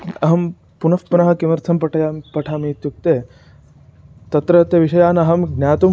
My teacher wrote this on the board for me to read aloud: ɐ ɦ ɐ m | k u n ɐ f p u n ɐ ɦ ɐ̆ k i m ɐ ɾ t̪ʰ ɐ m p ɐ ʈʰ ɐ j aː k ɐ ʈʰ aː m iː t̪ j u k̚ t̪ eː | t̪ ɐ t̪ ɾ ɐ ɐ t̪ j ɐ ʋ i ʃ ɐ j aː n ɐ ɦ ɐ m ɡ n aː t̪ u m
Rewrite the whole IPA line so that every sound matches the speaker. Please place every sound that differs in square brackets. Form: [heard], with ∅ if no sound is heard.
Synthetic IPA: ɐ ɦ ɐ m | [p] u n ɐ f p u n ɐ ɦ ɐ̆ k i m ɐ ɾ t̪ʰ ɐ m p ɐ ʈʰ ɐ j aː [p] ɐ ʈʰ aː m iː t̪ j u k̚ t̪ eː | t̪ ɐ t̪ ɾ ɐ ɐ t̪ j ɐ ʋ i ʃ ɐ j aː n ɐ ɦ ɐ m ɡ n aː t̪ u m

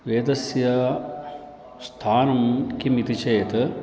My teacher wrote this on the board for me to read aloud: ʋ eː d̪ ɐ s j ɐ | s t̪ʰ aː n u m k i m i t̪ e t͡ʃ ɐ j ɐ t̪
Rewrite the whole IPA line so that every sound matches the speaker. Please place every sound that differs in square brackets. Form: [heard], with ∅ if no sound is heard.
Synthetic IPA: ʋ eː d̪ ɐ s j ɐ | s t̪ʰ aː n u m k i m i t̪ [i] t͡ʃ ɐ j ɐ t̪

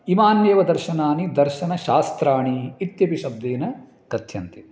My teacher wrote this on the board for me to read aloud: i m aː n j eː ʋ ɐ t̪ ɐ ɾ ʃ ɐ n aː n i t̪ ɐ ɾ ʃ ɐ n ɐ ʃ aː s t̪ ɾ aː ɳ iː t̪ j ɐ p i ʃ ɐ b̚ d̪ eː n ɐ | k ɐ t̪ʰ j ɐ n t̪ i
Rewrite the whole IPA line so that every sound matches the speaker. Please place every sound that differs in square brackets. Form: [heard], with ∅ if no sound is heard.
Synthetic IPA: i m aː n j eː ʋ ɐ [d̪] ɐ ɾ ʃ ɐ n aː n i [d̪] ɐ ɾ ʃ ɐ n ɐ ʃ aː s t̪ ɾ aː ɳ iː t̪ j ɐ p i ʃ ɐ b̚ d̪ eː n ɐ | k ɐ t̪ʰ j ɐ n t̪ i

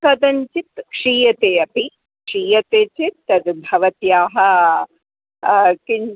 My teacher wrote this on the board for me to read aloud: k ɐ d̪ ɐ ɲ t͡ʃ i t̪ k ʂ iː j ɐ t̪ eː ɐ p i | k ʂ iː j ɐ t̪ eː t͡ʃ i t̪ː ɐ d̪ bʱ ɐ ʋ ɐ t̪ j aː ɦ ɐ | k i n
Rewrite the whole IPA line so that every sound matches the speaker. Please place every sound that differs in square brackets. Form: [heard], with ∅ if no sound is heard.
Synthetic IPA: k ɐ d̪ ɐ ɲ t͡ʃ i t̪ k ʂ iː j ɐ t̪ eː ɐ p i | k ʂ iː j ɐ t̪ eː t͡ʃ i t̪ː ɐ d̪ bʱ ɐ ʋ ɐ t̪ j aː ɦ ɐ | k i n

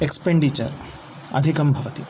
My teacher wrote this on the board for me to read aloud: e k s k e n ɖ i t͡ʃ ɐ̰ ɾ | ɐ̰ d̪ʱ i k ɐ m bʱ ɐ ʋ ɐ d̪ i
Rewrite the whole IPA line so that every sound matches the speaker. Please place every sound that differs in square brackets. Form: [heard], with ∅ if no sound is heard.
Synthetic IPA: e k s [p] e [ɳ] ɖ i t͡ʃ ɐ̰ ɾ | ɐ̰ d̪ʱ i k ɐ m bʱ ɐ ʋ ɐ [t̪] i

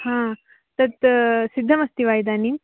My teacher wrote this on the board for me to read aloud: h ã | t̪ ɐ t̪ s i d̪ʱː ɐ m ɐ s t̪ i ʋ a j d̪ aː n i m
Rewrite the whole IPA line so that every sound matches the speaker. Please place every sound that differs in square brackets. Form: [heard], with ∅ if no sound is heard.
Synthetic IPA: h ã | t̪ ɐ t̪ s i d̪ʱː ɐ m ɐ s t̪ i ʋ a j d̪ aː n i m

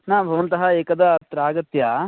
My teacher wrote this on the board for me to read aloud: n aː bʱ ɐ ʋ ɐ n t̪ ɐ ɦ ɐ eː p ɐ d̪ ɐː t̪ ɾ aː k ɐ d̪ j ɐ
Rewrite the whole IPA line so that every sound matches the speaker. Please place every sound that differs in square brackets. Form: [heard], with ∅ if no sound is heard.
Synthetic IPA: n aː bʱ ɐ ʋ ɐ n t̪ ɐ ɦ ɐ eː [k] ɐ d̪ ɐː t̪ ɾ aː [ɡ] ɐ [t̪] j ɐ

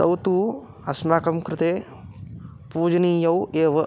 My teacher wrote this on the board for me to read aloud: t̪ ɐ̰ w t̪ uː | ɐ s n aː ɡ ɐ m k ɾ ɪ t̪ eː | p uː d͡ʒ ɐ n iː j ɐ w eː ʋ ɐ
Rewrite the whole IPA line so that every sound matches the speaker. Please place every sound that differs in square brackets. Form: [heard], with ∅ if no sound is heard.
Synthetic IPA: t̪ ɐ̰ w t̪ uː | ɐ s [m] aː [k] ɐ m k ɾ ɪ t̪ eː | p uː d͡ʒ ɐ n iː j ɐ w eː ʋ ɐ

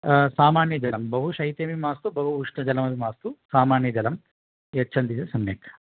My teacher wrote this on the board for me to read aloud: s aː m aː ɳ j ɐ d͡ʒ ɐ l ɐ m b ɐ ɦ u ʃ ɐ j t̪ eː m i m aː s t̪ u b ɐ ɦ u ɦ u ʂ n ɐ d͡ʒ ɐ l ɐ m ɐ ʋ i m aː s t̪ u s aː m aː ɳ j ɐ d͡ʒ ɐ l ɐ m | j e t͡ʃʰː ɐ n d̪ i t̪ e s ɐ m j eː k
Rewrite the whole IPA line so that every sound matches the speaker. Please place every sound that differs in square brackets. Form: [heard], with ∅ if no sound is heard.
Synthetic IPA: s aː m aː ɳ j ɐ d͡ʒ ɐ l ɐ m b ɐ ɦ u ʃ ɐ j t̪ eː m i m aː s t̪ u b ɐ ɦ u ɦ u ʂ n ɐ d͡ʒ ɐ l ɐ m ɐ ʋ i m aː s t̪ u s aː m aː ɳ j ɐ d͡ʒ ɐ l ɐ m | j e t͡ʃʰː ɐ n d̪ i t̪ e s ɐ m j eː k

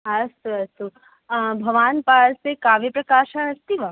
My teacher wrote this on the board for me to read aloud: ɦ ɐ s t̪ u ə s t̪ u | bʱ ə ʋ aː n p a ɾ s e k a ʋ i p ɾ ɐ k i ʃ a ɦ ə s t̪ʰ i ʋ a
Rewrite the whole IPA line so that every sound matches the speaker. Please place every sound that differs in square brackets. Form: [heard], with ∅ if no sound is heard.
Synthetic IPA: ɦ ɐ s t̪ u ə s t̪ u | bʱ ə ʋ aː n p a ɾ s e k a ʋ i p ɾ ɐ k [a] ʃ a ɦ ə s [t̪] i ʋ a

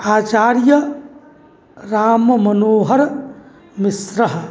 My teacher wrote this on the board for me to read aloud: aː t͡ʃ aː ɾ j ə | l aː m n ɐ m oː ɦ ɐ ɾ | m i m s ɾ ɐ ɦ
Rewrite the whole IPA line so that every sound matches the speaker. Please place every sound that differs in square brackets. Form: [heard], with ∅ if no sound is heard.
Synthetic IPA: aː t͡ʃ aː ɾ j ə | [ɾ] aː m [m] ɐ [n] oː ɦ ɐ ɾ | m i [∅] s ɾ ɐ ɦ

